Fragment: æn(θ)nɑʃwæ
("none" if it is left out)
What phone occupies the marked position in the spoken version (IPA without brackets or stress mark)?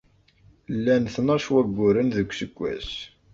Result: θ